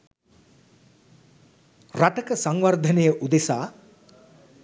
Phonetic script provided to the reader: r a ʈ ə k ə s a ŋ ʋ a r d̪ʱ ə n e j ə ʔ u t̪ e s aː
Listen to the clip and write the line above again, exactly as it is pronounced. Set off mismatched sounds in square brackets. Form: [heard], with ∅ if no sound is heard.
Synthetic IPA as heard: r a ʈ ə k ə s a ŋ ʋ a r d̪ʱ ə n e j ə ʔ u [d̪] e s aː